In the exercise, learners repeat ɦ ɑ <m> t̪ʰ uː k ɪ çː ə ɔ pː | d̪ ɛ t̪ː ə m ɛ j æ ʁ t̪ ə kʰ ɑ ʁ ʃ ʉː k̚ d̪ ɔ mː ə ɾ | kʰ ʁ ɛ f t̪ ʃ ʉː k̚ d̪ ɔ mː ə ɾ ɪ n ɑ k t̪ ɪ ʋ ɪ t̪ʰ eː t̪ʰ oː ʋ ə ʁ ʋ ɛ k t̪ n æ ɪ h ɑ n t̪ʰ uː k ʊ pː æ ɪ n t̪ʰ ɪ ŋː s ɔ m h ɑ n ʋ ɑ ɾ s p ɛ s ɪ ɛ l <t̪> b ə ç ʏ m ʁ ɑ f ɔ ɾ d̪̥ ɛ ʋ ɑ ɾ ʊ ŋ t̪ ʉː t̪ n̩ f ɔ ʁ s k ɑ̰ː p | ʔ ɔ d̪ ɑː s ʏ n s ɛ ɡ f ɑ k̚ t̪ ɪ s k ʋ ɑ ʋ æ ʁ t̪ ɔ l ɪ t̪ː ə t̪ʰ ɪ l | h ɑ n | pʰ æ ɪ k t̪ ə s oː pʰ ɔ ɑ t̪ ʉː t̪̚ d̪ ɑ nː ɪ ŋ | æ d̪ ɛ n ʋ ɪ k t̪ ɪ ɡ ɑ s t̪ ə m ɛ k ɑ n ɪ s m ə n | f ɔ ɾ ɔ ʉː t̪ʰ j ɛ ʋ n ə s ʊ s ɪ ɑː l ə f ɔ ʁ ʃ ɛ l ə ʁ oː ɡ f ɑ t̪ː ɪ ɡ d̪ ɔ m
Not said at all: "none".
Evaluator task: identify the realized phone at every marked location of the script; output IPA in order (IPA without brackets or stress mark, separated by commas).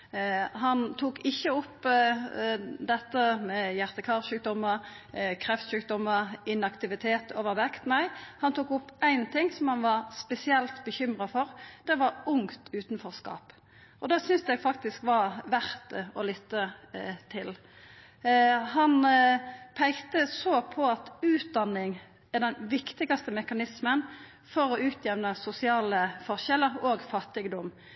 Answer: n, t̪